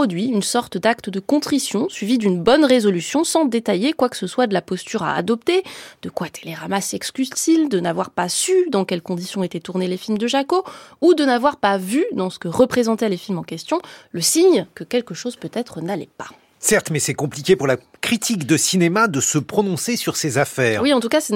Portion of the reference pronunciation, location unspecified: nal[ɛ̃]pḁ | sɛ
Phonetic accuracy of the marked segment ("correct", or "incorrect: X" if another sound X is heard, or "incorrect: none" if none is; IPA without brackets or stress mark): incorrect: ɛ